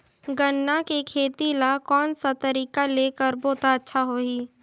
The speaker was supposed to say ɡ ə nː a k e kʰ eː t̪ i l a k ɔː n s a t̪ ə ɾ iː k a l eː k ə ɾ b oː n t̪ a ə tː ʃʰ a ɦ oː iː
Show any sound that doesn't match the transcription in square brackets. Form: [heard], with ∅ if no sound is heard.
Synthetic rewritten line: ɡ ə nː a k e kʰ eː t̪ i l a k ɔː n s a t̪ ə ɾ iː k a l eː k ə ɾ b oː [∅] t̪ a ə tː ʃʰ a ɦ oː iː

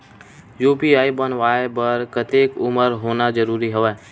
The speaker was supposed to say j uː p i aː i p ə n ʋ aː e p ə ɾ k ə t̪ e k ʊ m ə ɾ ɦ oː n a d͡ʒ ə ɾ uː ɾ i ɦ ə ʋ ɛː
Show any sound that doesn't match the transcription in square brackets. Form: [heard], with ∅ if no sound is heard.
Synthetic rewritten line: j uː p i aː i [b] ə n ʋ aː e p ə ɾ k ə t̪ e k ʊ m ə ɾ ɦ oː n a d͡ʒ ə ɾ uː ɾ i ɦ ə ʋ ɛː

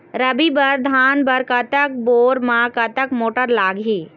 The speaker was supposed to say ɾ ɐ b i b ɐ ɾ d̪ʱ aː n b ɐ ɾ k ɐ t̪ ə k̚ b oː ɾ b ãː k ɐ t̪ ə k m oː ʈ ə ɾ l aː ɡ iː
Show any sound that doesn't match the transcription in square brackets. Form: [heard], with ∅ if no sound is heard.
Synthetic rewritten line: ɾ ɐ b i b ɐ ɾ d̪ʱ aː n b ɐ ɾ k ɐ t̪ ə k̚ b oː ɾ [m] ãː k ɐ t̪ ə k m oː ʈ ə ɾ l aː ɡ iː

